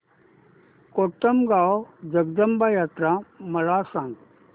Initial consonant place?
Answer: velar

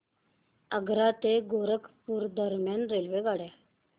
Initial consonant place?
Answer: velar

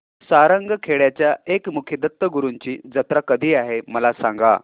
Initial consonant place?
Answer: alveolar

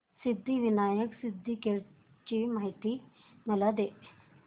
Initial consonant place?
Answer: alveolar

